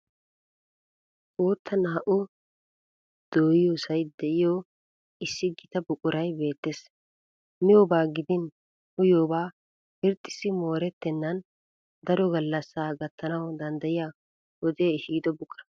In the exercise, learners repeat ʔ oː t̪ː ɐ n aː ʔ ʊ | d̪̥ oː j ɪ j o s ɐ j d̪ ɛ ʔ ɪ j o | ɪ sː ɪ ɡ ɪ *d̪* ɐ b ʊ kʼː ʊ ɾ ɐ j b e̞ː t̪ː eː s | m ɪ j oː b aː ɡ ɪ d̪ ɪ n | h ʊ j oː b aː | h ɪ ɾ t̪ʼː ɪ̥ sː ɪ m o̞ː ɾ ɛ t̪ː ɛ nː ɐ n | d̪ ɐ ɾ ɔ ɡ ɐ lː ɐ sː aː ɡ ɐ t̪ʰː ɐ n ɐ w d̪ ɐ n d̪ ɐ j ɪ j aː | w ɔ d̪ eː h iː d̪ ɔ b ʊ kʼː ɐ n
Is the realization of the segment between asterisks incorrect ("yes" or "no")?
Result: yes